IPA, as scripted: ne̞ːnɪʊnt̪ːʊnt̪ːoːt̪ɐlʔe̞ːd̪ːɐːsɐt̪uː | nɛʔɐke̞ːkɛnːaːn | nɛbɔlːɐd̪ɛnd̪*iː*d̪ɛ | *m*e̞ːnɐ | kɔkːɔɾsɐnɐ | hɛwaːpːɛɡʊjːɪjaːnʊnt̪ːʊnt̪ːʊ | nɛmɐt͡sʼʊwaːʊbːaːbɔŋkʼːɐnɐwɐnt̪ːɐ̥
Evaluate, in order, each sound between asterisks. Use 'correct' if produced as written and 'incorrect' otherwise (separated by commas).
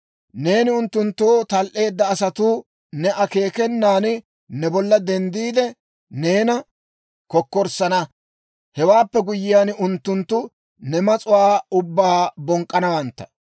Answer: correct, incorrect